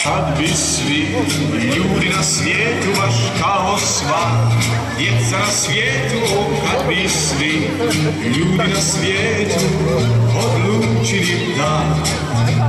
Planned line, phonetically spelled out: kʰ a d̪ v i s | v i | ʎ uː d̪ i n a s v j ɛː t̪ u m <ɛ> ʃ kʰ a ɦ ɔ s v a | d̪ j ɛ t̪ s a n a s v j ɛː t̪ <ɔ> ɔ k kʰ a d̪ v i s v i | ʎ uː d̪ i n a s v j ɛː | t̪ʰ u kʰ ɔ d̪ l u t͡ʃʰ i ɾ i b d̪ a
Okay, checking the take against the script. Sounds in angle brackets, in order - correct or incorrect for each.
incorrect: a, incorrect: u

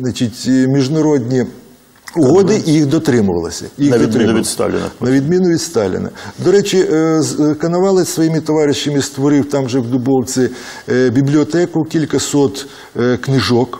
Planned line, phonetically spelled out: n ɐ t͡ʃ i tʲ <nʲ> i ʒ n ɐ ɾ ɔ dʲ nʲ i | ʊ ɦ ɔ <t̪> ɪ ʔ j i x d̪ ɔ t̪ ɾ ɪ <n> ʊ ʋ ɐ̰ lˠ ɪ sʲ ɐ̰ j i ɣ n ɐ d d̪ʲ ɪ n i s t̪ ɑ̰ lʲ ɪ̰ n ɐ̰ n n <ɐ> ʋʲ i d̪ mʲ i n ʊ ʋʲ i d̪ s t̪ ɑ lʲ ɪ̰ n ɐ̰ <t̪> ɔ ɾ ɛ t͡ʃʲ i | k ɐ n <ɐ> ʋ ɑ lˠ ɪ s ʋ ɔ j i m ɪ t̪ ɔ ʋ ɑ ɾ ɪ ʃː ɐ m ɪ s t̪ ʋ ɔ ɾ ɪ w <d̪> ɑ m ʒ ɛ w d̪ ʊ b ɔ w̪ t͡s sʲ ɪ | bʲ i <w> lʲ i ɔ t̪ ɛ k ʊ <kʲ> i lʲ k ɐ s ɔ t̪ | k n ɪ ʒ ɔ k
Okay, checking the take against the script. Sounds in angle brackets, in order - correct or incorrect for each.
incorrect: mʲ, incorrect: d̪, incorrect: m, correct, incorrect: d̪, correct, incorrect: t̪, incorrect: b, correct

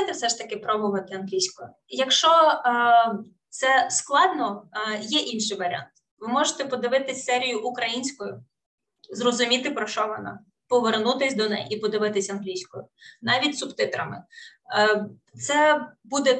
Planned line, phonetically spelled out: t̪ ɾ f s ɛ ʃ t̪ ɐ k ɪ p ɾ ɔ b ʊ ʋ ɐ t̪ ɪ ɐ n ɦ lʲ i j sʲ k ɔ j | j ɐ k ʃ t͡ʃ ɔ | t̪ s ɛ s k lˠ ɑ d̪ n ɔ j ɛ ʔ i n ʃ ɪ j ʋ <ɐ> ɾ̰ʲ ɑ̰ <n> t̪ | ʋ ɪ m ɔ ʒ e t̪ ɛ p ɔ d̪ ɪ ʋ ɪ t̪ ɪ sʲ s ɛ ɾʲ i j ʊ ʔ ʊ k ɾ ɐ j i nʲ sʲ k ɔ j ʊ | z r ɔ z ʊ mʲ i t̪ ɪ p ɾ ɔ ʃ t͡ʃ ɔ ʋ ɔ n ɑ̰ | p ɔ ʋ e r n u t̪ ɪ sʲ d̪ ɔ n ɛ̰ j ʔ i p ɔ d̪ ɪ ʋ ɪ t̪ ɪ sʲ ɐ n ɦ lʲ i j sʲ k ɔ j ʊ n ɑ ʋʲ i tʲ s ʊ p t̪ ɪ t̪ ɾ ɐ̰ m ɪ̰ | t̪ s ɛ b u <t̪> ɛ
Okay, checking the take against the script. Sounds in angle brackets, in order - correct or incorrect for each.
correct, correct, incorrect: d̪

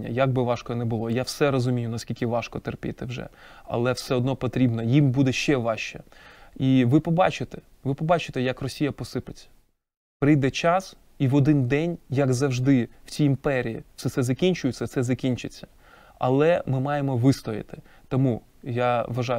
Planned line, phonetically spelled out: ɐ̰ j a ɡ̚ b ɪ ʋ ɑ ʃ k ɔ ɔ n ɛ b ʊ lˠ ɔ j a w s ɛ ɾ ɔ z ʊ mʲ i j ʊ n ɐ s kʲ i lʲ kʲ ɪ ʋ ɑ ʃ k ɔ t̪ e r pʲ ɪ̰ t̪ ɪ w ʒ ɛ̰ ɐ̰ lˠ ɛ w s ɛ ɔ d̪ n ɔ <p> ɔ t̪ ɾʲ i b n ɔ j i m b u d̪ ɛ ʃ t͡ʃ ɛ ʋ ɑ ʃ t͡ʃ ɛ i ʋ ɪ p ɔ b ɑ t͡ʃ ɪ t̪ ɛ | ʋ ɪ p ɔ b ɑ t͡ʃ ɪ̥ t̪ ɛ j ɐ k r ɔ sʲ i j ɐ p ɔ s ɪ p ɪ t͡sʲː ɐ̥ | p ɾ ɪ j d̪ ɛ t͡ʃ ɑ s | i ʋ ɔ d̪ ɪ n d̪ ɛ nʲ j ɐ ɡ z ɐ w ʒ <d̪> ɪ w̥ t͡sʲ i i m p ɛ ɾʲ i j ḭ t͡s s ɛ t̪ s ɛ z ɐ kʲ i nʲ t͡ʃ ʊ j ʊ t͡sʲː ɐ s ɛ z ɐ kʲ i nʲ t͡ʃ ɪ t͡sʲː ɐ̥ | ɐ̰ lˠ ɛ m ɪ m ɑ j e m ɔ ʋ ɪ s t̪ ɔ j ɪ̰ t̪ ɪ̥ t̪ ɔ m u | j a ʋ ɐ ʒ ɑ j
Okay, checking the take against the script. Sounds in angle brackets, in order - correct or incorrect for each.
correct, correct

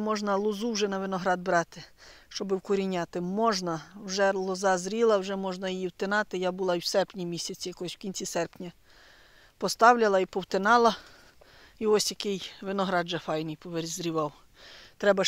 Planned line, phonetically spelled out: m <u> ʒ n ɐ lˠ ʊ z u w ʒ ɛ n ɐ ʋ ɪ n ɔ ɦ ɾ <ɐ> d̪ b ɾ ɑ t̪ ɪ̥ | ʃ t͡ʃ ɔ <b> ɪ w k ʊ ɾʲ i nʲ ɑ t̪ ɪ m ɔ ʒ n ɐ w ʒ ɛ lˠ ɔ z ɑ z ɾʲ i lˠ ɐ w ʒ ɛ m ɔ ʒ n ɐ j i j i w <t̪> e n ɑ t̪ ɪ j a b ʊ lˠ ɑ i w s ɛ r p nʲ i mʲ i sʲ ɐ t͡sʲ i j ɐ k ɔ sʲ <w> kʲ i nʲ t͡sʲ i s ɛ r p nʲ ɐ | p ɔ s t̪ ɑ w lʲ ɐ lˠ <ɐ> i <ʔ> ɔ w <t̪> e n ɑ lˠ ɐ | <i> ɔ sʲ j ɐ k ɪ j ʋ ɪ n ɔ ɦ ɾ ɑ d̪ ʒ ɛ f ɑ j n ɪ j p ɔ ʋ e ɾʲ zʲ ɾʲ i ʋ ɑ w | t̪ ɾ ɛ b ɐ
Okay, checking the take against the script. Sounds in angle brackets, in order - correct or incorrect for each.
incorrect: ɔ, incorrect: ɑ, correct, correct, correct, correct, incorrect: p, correct, correct

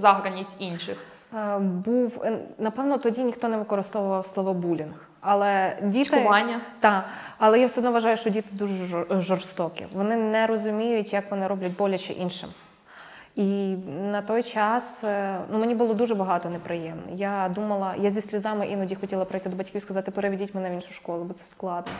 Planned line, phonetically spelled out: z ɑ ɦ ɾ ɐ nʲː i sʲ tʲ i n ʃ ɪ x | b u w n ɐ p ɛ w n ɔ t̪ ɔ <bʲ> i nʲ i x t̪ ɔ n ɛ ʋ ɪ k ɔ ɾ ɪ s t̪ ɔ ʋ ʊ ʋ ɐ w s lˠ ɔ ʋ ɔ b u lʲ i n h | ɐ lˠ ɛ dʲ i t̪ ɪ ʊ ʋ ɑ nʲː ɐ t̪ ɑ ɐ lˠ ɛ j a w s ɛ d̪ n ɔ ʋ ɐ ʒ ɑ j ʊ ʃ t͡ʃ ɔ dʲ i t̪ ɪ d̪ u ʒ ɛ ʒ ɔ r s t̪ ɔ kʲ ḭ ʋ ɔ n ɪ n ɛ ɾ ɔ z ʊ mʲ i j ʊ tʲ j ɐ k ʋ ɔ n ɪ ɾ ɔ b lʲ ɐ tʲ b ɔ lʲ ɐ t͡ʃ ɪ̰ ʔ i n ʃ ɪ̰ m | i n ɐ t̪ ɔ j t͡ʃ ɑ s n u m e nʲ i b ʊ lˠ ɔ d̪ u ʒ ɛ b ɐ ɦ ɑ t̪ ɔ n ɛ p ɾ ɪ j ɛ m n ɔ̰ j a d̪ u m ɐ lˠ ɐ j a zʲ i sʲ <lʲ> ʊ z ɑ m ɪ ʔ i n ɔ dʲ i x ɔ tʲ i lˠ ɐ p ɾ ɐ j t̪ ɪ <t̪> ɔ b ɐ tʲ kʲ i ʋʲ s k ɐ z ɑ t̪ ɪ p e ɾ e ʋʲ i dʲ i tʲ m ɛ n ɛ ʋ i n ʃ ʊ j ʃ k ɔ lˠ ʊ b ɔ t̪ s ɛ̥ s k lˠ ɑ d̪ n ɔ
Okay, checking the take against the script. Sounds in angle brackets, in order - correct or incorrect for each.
incorrect: dʲ, correct, incorrect: d̪

